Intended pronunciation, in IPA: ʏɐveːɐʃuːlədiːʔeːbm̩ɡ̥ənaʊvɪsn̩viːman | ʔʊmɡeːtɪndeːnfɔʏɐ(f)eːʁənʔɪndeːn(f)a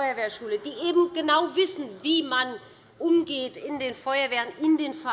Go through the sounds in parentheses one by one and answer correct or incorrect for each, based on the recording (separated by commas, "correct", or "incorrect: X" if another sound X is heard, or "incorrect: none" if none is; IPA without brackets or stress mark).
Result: incorrect: v, correct